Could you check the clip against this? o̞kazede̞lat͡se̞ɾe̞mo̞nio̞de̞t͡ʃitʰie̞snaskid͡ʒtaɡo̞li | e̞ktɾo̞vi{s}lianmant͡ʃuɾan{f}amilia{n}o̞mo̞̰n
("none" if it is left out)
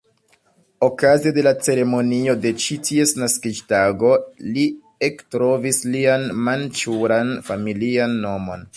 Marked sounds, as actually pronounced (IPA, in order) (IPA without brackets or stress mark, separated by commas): s, f, nː